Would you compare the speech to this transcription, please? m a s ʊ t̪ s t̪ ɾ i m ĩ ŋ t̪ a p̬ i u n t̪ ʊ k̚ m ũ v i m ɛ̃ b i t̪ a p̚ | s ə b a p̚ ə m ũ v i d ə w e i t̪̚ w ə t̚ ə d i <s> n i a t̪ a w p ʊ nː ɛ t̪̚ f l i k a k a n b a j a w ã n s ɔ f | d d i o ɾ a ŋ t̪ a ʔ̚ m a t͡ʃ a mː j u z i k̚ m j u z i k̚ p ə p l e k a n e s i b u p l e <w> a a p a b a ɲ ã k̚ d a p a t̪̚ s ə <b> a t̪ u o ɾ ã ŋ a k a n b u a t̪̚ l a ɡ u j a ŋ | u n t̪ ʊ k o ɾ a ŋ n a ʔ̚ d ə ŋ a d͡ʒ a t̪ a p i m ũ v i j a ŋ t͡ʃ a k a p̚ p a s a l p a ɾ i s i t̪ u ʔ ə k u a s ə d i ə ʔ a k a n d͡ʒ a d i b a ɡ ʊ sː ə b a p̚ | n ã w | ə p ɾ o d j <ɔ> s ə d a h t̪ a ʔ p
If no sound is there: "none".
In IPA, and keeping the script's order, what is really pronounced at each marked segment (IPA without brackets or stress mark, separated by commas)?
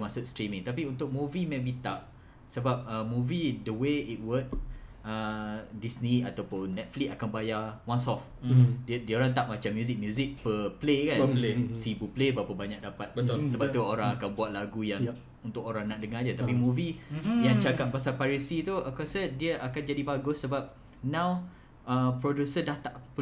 s, b, b, u